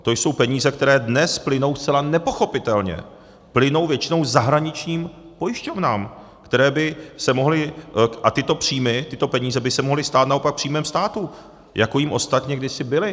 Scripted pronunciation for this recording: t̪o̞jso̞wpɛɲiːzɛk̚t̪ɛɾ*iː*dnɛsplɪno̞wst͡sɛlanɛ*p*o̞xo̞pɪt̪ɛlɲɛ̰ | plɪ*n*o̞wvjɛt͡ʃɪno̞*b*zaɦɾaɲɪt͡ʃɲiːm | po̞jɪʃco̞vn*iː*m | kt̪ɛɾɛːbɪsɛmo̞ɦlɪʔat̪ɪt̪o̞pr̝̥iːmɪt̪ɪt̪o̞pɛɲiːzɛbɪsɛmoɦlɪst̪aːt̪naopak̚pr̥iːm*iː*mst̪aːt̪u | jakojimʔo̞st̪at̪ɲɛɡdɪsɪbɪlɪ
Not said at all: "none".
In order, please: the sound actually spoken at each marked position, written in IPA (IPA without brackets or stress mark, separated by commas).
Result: ɛː, p, n, w, aː, ɛː